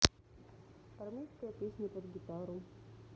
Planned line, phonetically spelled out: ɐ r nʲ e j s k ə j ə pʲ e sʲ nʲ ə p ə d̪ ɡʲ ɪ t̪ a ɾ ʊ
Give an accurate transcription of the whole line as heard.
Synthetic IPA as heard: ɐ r mʲ e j s k ə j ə pʲ e sʲ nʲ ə p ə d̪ ɡʲ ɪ t̪ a ɾ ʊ